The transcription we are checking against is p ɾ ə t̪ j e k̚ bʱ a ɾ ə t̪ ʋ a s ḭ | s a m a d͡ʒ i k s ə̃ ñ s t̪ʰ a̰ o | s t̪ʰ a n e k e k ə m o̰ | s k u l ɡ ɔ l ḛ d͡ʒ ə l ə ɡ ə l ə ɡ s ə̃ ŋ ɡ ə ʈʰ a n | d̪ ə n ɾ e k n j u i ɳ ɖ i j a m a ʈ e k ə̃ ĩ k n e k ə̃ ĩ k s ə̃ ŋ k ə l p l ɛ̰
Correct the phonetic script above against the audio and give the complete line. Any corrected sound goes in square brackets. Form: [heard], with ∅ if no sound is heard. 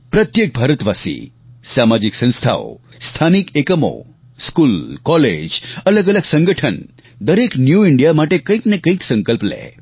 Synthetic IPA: p ɾ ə t̪ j e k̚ bʱ a ɾ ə t̪ ʋ a s ḭ | s a m a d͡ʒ i k s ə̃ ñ s t̪ʰ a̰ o | s t̪ʰ a n [i] k e k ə m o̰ | s k u l [k] ɔ l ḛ d͡ʒ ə l ə ɡ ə l ə ɡ s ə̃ ŋ ɡ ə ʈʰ [ə] n | d̪ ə [∅] ɾ e k n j u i ɳ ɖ i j a m a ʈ e k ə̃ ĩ k n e k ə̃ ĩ k s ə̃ ŋ k ə l p l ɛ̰